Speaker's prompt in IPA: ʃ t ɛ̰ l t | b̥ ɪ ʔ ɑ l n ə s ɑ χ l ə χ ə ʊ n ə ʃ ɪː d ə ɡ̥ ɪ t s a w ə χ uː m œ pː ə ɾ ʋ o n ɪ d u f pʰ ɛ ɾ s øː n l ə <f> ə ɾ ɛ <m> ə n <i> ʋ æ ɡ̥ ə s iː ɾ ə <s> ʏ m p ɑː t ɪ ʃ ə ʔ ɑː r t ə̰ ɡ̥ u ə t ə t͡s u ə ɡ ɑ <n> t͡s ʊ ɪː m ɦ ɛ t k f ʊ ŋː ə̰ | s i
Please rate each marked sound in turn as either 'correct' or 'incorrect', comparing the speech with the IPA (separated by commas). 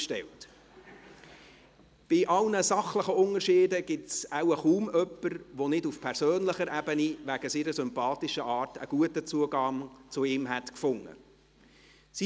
incorrect, incorrect, correct, correct, incorrect